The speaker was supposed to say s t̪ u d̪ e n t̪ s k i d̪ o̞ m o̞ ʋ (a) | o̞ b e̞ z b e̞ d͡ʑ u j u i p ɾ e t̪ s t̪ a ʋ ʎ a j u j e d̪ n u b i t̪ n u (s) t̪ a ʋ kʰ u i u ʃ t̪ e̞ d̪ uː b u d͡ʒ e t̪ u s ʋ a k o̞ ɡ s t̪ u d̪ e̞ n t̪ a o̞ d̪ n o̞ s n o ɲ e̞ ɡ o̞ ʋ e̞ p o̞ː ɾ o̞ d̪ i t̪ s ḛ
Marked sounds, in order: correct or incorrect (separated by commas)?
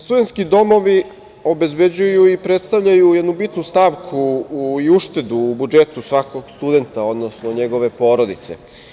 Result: incorrect, correct